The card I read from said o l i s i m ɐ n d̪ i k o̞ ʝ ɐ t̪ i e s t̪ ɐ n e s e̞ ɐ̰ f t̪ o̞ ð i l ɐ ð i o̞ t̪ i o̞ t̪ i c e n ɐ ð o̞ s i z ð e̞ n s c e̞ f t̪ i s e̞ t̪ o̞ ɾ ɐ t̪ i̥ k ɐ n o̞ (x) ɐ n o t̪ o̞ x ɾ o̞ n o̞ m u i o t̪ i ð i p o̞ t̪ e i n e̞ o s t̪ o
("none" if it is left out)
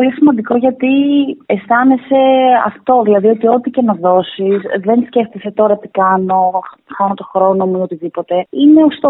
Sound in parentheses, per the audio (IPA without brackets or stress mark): x